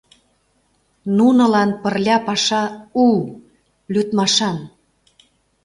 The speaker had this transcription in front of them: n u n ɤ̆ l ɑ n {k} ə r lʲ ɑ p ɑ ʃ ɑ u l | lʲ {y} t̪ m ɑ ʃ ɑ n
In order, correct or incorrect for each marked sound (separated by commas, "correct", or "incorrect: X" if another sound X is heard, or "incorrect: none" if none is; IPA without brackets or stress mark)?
incorrect: p, correct